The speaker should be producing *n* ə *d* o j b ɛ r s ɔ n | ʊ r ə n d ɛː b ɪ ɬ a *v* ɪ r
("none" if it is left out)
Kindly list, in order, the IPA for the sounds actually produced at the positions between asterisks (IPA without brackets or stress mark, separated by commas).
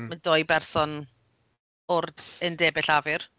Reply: m, d, v